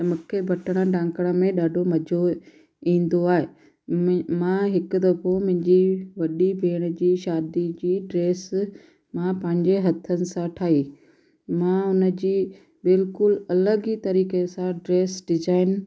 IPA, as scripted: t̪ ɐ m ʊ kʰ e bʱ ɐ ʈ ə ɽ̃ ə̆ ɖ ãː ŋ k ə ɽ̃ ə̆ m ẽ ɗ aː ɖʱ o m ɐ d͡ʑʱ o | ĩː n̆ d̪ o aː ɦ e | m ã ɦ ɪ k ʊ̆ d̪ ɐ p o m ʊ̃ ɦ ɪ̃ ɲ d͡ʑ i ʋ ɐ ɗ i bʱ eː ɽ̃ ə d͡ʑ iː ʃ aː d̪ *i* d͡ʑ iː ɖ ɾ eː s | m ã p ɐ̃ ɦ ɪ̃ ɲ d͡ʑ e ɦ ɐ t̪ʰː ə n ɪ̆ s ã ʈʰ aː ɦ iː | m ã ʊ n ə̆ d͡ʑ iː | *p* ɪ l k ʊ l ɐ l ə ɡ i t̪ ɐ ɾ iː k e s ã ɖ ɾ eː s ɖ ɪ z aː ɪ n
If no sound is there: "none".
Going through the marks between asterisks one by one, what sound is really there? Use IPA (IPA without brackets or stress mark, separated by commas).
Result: i, b